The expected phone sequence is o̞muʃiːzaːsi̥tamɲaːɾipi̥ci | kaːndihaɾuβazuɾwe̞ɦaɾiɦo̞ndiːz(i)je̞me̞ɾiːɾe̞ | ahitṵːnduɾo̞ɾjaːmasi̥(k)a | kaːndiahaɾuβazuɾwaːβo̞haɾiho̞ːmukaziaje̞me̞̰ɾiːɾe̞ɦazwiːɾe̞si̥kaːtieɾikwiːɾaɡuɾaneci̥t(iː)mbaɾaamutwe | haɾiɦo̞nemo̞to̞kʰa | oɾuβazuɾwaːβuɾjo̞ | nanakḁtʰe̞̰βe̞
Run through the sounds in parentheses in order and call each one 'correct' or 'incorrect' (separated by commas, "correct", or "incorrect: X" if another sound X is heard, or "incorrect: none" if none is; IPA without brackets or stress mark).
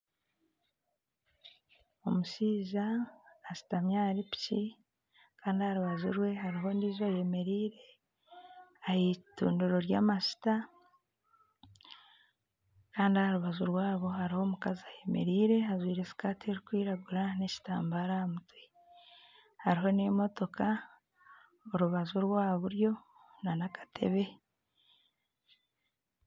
incorrect: a, incorrect: t, incorrect: aː